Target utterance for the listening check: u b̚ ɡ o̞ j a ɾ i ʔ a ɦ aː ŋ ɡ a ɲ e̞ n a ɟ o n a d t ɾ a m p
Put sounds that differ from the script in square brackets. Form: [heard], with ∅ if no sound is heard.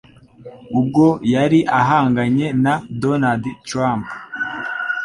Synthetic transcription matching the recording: u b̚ ɡ o̞ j a ɾ i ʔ a ɦ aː ŋ ɡ a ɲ e̞ n a [d] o n a d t ɾ a m p